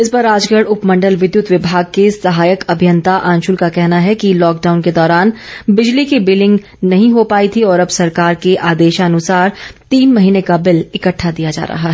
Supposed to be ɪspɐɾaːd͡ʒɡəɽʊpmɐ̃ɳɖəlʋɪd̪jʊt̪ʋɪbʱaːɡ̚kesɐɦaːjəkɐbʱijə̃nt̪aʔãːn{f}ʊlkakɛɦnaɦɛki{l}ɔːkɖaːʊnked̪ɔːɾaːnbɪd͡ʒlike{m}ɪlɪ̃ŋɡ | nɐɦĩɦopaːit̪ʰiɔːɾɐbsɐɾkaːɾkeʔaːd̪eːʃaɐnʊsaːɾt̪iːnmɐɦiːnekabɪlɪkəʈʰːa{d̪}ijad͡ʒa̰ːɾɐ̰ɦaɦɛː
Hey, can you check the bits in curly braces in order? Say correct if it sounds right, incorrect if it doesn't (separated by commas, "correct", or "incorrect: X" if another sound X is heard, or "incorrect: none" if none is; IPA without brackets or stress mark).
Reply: incorrect: ʃ, correct, incorrect: b, correct